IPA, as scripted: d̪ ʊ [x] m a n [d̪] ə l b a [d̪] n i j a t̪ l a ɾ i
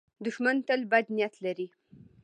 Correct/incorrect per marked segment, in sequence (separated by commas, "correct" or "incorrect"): incorrect, incorrect, correct